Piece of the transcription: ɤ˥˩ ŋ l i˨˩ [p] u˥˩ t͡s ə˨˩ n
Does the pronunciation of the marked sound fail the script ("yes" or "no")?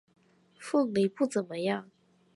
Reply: no